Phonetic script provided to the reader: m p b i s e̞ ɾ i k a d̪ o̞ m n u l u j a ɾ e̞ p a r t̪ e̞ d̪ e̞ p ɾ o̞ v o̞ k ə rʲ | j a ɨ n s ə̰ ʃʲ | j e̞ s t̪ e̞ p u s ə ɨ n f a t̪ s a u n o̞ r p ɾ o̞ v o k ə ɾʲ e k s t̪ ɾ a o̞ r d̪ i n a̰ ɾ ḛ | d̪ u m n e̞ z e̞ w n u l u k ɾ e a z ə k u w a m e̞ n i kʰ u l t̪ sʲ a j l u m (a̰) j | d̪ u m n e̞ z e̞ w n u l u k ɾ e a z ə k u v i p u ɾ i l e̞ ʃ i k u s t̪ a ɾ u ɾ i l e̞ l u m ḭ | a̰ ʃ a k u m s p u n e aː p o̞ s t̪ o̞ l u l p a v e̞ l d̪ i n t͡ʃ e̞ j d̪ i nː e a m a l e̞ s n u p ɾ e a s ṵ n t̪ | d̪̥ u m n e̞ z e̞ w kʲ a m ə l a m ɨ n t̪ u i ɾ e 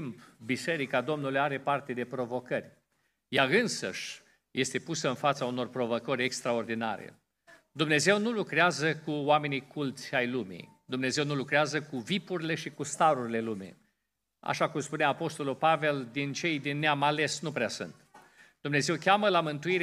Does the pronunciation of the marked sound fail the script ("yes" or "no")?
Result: yes